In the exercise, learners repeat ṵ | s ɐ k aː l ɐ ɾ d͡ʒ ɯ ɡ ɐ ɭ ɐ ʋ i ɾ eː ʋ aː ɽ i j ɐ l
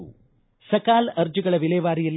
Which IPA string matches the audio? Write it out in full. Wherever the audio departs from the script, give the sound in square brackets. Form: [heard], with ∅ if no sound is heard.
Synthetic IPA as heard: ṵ | s ɐ k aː l ɐ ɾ d͡ʒ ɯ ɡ ɐ ɭ ɐ ʋ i [l] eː ʋ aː [ɾ] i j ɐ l